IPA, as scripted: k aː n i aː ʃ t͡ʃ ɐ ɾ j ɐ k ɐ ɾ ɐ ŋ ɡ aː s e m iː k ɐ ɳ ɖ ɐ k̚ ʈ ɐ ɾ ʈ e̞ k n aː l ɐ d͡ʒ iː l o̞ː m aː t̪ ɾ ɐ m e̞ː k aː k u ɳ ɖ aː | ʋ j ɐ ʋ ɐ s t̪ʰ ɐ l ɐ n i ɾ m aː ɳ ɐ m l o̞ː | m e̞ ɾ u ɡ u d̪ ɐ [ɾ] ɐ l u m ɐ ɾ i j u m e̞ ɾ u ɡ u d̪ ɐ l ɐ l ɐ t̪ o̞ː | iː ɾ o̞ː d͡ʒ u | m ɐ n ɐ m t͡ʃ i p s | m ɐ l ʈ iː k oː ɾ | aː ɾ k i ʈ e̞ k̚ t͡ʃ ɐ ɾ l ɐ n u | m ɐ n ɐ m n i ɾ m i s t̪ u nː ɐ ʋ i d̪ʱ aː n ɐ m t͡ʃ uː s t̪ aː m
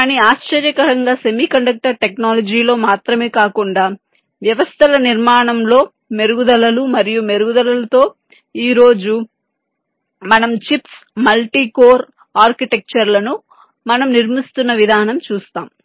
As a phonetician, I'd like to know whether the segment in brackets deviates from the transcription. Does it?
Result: yes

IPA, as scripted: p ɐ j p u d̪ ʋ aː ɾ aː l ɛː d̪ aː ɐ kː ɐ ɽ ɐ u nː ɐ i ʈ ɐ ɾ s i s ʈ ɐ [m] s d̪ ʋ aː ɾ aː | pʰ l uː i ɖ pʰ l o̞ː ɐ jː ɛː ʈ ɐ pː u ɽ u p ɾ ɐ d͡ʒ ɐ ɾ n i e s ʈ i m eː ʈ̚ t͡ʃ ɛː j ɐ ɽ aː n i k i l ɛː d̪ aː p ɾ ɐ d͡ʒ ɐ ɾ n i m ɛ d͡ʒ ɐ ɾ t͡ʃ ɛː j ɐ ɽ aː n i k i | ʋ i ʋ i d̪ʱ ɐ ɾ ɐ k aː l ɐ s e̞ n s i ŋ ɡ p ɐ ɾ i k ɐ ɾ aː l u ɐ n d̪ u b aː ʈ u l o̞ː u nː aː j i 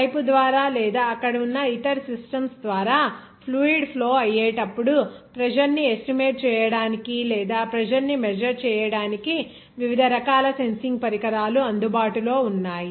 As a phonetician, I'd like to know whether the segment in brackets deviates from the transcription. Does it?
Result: no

